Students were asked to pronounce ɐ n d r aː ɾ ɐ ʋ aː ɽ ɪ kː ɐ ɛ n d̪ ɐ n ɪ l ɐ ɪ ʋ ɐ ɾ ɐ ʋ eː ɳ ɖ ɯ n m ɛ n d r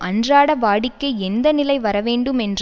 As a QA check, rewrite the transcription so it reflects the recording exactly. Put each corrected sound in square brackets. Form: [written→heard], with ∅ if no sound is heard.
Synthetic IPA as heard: ɐ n d r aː [ɾ→ɽ] ɐ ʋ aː ɽ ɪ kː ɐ ɛ n d̪ ɐ n ɪ l ɐ ɪ ʋ ɐ ɾ ɐ ʋ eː ɳ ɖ ɯ [n→∅] m ɛ n d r